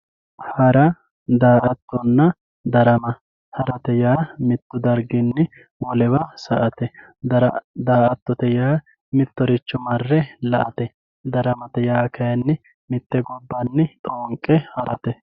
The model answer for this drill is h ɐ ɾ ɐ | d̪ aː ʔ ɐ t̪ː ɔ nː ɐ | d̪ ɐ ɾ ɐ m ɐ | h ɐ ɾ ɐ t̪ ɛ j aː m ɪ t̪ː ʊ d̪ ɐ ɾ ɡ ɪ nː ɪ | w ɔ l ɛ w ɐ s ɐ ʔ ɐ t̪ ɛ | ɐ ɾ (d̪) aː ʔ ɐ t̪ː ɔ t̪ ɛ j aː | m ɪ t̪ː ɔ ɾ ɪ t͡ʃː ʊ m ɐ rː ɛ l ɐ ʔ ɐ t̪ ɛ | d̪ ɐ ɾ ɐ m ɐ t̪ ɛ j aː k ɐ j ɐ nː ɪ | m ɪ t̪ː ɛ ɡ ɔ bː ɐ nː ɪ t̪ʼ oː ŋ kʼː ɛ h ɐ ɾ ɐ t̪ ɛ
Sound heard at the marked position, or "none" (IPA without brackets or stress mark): d̪